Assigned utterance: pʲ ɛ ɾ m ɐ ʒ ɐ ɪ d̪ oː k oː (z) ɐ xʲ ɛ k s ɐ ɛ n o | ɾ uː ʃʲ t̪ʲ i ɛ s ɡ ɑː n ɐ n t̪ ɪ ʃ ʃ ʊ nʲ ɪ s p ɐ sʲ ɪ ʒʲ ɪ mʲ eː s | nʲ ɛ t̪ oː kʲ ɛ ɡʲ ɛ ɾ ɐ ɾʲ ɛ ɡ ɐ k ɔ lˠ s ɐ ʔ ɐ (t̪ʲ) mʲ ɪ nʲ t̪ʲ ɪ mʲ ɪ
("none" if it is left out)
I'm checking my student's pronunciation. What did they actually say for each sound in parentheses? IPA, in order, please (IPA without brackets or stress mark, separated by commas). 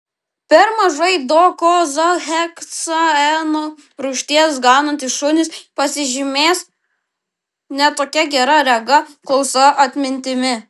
z, t̪ʲ